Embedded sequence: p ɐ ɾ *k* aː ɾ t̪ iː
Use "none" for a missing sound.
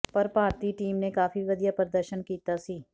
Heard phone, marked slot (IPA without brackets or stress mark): p